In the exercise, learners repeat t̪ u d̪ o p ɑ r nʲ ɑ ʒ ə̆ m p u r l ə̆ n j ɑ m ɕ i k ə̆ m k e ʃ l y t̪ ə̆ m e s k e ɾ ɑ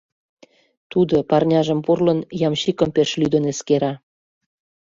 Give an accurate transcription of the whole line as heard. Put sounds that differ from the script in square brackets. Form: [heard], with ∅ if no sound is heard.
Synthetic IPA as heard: t̪ u d̪ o p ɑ r nʲ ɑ ʒ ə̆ m p u r l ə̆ n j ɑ m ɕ i k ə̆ m [p] e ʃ l y [d̪] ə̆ [n] e s k e ɾ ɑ